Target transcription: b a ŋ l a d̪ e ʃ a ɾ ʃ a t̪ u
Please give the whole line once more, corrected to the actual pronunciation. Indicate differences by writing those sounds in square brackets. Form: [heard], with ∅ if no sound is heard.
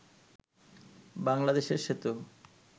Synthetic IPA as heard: b a ŋ l a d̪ e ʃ [e] ɾ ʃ [e] t̪ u